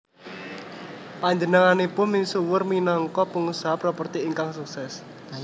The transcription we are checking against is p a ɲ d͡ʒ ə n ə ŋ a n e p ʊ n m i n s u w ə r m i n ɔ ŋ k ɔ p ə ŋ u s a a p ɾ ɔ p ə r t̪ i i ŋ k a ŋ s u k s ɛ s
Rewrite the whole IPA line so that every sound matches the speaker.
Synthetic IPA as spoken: p a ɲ d͡ʒ ə n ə ŋ a n e p ʊ n m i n s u w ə r m i n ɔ ŋ k ɔ p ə ŋ u s a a p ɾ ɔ p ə r t̪ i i ŋ k a ŋ s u k s ɛ s